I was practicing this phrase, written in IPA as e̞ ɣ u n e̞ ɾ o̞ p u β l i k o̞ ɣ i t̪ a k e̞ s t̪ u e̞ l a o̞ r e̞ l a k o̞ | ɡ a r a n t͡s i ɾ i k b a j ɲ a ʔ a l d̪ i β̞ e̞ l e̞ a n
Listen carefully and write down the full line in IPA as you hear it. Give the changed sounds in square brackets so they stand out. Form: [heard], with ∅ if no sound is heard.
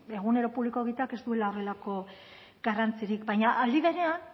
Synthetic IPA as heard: e̞ ɣ u n e̞ ɾ o̞ p u β l i k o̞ ɣ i t̪ a k e̞ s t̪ u e̞ l a o̞ r e̞ l a k o̞ | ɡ a r a n t͡s i ɾ i k b a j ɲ a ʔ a l d̪ i β̞ e̞ [ɾ] e̞ a n